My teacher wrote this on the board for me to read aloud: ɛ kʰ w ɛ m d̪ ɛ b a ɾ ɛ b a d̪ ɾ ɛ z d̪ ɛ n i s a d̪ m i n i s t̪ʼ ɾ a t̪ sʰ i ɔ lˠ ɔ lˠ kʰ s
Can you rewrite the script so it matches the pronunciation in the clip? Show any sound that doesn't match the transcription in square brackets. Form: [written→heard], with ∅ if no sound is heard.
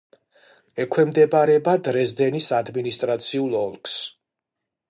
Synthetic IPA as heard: ɛ kʰ w ɛ m d̪ ɛ b a ɾ ɛ b a d̪ ɾ ɛ z d̪ ɛ n i s a d̪ m i n i s t̪ʼ ɾ a t̪ sʰ i [ɔ→u] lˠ ɔ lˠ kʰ s